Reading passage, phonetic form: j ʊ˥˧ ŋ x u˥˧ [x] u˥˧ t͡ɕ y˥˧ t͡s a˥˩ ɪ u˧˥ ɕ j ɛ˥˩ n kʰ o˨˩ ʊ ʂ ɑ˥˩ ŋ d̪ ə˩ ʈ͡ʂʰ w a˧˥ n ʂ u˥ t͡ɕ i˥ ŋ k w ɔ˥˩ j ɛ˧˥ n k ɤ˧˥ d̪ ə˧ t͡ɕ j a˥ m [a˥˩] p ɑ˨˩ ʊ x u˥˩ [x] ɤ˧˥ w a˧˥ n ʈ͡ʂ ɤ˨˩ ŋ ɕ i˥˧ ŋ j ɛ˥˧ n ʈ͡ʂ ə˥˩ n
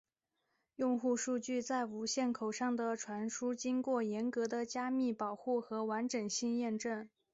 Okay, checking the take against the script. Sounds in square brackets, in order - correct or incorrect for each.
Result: incorrect, incorrect, correct

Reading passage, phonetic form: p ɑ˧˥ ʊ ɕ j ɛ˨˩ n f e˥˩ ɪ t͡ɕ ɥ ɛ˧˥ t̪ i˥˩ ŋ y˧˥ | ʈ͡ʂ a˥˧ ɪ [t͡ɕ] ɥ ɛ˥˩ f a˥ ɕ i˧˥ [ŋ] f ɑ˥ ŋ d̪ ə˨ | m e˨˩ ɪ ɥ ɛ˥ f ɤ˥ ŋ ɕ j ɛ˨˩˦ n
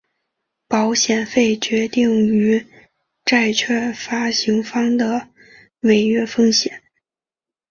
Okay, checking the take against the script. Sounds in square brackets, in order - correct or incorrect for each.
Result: incorrect, correct

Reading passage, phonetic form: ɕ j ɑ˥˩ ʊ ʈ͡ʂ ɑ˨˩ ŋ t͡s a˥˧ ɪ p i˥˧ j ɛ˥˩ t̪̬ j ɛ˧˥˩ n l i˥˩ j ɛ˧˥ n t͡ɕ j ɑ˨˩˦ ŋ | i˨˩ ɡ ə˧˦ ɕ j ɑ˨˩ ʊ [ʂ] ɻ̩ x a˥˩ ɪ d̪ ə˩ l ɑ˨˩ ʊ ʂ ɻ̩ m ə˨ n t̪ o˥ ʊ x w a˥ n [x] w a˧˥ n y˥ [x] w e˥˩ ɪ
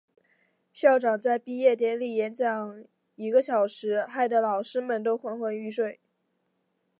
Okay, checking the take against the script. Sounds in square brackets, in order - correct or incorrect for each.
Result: correct, correct, incorrect

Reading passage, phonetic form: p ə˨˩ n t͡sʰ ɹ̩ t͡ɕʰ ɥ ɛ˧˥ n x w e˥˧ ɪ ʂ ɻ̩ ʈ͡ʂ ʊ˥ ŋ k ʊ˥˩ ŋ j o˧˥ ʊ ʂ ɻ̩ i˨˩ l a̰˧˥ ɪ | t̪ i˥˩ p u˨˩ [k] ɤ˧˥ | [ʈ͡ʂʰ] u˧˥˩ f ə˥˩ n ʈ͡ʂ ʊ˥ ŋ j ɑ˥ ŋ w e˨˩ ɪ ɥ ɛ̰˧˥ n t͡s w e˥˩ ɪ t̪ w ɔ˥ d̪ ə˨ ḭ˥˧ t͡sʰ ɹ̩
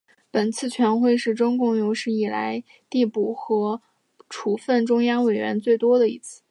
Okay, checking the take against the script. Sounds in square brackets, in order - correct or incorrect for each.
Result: incorrect, correct

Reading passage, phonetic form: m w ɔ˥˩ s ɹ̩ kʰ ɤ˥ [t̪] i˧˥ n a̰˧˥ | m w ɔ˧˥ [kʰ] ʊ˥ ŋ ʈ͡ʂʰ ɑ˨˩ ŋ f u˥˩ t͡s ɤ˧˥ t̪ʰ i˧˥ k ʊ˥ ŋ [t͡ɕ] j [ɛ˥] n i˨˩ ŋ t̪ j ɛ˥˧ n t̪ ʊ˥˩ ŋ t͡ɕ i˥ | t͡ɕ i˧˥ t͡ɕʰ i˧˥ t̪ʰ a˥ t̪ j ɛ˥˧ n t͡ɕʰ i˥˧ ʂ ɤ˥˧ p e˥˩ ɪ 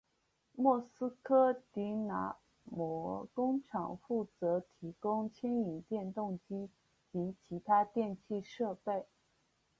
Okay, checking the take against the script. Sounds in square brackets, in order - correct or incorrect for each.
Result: correct, incorrect, incorrect, correct

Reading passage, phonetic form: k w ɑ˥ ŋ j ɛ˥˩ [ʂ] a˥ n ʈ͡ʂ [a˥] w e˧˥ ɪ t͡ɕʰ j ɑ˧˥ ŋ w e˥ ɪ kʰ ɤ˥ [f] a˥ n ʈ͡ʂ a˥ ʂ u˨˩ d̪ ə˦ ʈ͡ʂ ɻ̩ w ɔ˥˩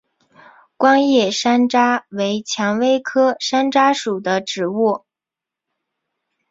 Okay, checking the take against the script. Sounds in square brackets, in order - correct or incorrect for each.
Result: correct, correct, incorrect

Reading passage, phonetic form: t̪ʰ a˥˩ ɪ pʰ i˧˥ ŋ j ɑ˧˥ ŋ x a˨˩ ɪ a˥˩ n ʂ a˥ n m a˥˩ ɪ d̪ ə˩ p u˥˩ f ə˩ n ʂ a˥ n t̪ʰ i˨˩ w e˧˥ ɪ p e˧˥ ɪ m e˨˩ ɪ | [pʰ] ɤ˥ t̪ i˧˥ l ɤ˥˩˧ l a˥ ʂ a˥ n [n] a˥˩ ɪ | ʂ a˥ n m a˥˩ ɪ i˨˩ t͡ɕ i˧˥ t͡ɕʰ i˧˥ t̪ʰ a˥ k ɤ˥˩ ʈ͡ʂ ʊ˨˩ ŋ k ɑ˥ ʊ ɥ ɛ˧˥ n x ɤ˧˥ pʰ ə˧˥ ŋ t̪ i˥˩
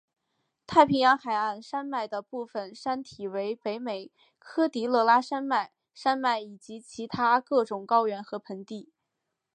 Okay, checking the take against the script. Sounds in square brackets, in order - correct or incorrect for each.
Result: incorrect, incorrect

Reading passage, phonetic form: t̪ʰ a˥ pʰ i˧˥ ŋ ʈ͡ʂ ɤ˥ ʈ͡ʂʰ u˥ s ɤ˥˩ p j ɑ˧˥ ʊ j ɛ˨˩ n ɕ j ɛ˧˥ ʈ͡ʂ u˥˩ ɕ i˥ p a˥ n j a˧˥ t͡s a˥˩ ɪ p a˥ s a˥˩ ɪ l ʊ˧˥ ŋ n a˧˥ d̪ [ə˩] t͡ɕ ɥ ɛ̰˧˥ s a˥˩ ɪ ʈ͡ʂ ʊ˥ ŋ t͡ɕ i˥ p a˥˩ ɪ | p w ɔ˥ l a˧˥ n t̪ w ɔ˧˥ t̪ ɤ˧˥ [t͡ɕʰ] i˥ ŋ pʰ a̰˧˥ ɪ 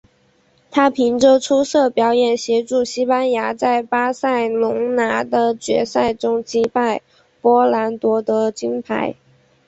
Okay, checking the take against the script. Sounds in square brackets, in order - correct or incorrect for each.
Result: incorrect, incorrect

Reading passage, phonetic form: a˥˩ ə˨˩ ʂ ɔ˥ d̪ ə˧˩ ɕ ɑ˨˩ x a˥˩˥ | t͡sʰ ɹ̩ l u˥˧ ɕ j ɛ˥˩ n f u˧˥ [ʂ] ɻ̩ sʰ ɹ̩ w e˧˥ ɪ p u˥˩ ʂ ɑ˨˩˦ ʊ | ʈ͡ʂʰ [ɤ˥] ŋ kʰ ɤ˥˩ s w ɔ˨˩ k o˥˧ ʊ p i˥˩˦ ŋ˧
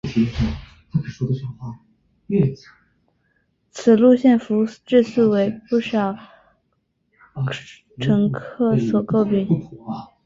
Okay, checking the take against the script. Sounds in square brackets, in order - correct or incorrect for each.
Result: incorrect, incorrect

